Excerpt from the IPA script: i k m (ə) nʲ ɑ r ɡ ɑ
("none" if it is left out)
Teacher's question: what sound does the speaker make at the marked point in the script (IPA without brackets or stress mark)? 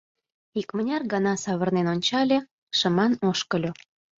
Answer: ə